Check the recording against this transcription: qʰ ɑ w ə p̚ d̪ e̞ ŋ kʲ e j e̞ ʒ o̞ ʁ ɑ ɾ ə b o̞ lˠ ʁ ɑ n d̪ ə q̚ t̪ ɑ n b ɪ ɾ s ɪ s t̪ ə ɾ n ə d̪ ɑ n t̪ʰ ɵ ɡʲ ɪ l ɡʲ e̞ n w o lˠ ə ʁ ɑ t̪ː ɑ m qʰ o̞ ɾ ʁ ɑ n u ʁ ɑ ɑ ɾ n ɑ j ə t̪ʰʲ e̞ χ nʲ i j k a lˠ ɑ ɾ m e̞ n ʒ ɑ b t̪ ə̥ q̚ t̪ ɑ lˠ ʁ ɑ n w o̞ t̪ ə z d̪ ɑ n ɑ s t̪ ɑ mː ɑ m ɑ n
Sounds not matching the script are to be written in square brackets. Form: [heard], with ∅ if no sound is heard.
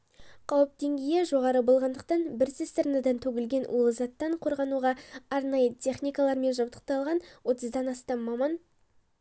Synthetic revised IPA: qʰ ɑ w ə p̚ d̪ e̞ ŋ [ɡʲ] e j e̞ ʒ o̞ ʁ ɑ ɾ ə b o̞ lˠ ʁ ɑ n d̪ ə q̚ t̪ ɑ n b ɪ ɾ s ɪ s t̪ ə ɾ n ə d̪ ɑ n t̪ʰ ɵ ɡʲ ɪ l ɡʲ e̞ n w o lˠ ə [z] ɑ t̪ː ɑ [ɴ] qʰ o̞ ɾ ʁ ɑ n u ʁ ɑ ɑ ɾ n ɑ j ə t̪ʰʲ e̞ χ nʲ i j k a lˠ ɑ ɾ m e̞ n ʒ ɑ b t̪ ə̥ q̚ t̪ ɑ lˠ ʁ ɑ n w o̞ t̪ ə z d̪ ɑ n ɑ s t̪ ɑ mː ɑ m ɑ n